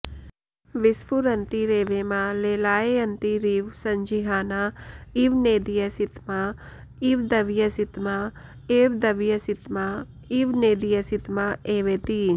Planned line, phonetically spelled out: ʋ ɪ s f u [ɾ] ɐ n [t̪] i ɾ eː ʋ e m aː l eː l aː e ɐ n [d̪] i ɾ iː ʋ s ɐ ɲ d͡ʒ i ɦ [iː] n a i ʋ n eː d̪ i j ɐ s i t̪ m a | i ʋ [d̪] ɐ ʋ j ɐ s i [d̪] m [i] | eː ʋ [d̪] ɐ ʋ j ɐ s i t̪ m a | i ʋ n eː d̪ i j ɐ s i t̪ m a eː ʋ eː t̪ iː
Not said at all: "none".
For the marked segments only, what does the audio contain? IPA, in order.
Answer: ɾ, t̪, t̪, aː, d̪, t̪, a, d̪

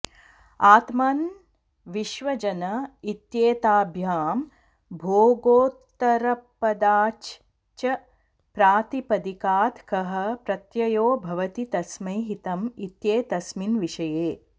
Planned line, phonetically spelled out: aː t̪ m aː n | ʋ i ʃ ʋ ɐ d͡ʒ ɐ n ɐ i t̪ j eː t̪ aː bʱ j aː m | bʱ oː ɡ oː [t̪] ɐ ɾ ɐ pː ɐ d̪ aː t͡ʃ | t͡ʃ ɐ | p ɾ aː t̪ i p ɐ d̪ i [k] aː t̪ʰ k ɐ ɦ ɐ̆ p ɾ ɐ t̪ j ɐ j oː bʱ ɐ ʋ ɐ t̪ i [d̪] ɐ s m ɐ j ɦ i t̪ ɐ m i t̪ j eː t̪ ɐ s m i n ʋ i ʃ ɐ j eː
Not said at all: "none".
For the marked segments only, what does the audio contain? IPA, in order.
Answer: t̪, k, t̪

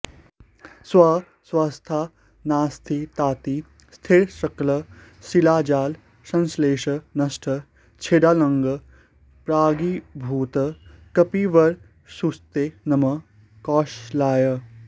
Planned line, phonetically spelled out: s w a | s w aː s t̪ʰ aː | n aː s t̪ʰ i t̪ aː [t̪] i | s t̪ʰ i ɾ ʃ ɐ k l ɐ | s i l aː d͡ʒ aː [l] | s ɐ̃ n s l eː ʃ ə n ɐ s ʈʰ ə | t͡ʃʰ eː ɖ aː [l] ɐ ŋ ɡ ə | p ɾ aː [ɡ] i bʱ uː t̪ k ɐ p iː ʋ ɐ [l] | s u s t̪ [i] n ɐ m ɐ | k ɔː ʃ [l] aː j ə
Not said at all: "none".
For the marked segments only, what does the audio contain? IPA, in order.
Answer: t̪, l, l, ɡ, ɾ, e, l

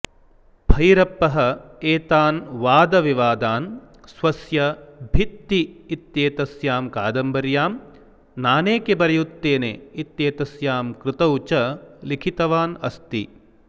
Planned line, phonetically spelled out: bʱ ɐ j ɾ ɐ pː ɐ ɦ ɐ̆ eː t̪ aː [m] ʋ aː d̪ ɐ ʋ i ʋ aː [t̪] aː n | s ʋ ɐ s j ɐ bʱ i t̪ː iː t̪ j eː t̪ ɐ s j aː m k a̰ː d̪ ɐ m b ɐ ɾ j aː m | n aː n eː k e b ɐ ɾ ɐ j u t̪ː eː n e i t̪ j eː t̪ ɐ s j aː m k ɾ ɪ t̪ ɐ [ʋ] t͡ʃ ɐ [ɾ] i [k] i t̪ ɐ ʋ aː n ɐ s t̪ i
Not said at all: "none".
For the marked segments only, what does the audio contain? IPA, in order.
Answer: n, d̪, w, l, kʰ

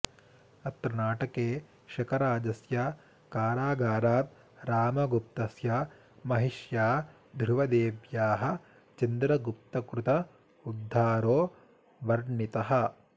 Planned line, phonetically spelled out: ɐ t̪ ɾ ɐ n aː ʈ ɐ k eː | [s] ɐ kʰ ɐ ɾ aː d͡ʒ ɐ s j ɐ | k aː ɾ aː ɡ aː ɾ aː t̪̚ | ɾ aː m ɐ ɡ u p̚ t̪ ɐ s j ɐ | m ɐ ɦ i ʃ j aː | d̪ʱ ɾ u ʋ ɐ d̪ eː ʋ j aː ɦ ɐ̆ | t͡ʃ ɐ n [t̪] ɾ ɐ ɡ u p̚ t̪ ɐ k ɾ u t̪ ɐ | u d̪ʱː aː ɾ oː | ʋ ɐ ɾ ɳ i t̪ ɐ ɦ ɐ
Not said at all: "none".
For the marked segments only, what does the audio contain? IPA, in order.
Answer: ʃ, d̪

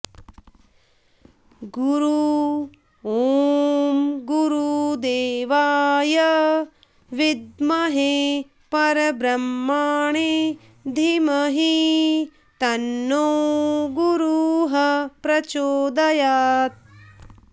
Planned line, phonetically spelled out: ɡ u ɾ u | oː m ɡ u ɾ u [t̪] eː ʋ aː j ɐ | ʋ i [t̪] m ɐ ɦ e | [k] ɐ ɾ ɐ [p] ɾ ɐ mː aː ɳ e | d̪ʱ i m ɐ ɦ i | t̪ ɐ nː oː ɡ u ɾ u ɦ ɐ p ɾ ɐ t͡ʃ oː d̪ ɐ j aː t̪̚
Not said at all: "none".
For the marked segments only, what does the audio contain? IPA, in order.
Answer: d̪, d̪, p, b

